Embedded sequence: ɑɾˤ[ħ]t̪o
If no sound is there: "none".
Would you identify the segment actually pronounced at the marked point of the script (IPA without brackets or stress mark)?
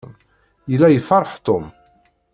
ħ